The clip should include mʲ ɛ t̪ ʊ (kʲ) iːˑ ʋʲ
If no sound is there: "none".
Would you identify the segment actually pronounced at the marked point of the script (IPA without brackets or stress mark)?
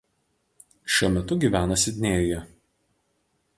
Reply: ɡʲ